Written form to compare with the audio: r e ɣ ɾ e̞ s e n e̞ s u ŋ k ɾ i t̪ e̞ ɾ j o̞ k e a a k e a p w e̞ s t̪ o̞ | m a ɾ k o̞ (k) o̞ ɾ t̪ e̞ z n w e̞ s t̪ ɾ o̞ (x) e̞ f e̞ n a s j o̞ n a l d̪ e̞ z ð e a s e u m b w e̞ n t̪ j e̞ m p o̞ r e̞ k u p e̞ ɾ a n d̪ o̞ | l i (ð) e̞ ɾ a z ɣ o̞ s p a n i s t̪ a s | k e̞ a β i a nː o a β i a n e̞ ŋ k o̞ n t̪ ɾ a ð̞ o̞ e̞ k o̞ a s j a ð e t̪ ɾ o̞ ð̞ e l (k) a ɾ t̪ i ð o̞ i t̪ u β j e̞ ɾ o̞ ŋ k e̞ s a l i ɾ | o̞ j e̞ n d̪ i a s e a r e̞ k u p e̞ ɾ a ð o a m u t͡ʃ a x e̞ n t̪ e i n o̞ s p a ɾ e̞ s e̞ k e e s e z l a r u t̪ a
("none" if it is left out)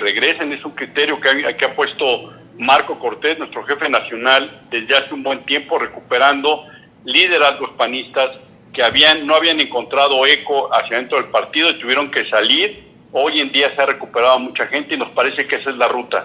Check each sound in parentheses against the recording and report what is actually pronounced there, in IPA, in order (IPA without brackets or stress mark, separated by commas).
k, x, ð, p